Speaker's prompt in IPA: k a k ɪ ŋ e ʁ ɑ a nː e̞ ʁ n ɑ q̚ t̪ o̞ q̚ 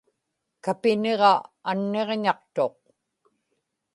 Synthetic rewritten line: k a p ɪ n e ʁ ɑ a nː e̞ ʁ ɲ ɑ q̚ t̪ o̞ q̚